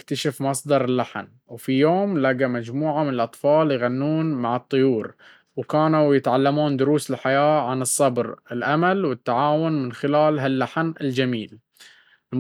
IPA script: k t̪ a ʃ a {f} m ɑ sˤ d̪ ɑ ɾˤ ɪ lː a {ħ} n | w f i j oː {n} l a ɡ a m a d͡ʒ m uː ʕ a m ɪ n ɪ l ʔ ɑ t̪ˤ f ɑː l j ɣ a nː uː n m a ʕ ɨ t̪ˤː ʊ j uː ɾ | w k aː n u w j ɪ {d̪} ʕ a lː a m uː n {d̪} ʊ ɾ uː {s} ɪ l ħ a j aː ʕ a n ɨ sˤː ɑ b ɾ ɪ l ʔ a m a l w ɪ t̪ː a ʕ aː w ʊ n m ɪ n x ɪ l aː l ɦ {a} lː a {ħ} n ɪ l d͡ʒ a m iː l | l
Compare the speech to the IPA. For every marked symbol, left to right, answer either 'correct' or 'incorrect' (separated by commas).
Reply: correct, correct, incorrect, incorrect, correct, correct, correct, correct